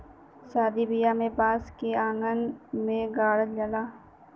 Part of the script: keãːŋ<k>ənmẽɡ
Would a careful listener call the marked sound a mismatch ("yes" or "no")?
yes